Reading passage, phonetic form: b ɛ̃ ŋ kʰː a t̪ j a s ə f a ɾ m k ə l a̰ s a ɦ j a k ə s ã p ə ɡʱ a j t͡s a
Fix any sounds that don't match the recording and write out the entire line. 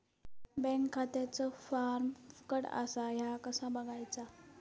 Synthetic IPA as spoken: b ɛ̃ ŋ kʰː a t̪ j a t͡s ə f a ɾ m k ə ɽ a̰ s a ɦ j a k ə s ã b ə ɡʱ a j t͡s a

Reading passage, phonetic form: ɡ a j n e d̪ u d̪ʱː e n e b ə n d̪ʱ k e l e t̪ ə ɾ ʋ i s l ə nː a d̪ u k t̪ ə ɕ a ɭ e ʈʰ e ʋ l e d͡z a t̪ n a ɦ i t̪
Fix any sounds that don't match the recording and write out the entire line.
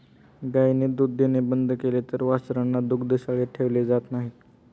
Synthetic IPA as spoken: ɡ a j n e d̪ u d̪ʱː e n e b ə n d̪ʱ k e l e t̪ ə ɾ ʋ a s ɾ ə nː a d̪ u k d̪ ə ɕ a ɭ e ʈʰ e ʋ l e d͡z a t̪ n a ɦ i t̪

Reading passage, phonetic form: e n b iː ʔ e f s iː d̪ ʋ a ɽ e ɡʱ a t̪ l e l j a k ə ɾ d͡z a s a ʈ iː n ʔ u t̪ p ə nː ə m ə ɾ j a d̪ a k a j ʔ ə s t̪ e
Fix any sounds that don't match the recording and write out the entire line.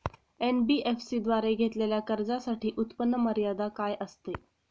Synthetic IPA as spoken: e n b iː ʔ e f s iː d̪ ʋ a ɾ e ɡʱ e t̪ l e l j a k ə ɾ d͡z a s a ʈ iː ʔ u t̪ p ə nː ə m ə ɾ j a d̪ a k a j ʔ ə s t̪ e

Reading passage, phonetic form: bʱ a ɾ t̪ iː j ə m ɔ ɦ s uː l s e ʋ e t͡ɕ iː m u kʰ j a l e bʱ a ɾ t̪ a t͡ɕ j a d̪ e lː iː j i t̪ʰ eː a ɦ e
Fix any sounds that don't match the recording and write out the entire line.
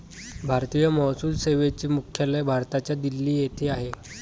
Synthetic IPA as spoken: bʱ a ɾ t̪ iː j ə m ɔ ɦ s uː l s e ʋ e t͡ɕ iː m u kʰ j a l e bʱ a ɾ t̪ a t͡ɕ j a d̪ i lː iː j e t̪ʰ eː a ɦ e

